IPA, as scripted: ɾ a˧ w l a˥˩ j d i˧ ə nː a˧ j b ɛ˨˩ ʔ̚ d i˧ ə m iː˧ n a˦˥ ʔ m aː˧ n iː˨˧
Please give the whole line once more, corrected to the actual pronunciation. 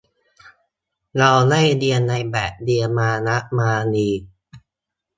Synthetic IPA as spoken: ɾ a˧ w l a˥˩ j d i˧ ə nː a˧ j b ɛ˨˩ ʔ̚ d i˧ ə m aː˧ n a˦˥ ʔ m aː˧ n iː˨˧